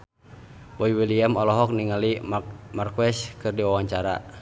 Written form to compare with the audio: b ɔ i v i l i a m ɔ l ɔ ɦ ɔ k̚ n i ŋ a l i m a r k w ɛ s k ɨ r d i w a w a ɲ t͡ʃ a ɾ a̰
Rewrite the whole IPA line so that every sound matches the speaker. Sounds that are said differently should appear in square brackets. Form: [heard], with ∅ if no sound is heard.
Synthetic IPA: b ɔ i [w] i l i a m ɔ l ɔ ɦ ɔ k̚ n i ŋ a l i m a r k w ɛ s k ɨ r d i w a w a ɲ t͡ʃ a ɾ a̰